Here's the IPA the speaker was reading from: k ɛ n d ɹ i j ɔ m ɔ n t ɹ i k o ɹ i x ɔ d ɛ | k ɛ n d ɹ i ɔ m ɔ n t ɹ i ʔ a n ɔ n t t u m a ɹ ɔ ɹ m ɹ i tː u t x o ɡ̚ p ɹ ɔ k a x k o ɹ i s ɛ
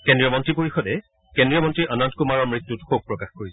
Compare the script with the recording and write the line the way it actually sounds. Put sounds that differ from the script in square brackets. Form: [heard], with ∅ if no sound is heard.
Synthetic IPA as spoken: k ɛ n d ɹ i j ɔ m ɔ n t ɹ i [p] o ɹ i x ɔ d ɛ | k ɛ n d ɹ i ɔ m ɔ n t ɹ i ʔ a n ɔ n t [k] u m a ɹ ɔ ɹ m ɹ i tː u t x o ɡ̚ p ɹ ɔ k a x k o ɹ i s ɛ